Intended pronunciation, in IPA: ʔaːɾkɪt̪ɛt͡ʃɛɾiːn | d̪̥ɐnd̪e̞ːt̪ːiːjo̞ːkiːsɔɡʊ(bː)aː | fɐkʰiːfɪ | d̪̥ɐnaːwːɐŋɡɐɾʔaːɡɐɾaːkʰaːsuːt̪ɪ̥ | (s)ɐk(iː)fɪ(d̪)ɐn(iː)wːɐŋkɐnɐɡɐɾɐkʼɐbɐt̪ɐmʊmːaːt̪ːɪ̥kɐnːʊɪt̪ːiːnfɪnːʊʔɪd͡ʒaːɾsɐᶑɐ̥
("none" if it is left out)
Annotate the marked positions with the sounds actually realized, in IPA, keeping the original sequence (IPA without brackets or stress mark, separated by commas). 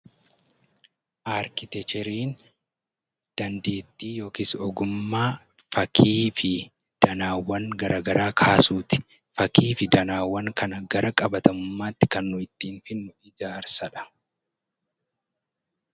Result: mː, f, iː, d̪, aː